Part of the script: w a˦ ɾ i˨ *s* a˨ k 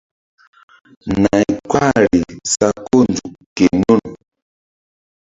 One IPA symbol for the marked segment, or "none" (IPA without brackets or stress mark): s